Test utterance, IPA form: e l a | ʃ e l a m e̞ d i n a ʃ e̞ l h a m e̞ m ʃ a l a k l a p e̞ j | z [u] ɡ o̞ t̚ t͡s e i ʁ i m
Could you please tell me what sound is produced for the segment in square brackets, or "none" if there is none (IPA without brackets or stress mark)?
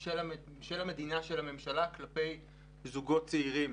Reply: u